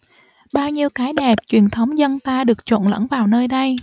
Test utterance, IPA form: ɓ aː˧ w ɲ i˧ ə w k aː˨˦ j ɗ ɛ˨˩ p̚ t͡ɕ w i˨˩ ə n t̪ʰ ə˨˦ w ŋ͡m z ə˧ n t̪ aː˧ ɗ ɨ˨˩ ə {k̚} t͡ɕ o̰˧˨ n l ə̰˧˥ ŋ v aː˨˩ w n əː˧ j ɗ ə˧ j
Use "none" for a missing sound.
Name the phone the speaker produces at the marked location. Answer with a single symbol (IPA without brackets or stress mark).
k̚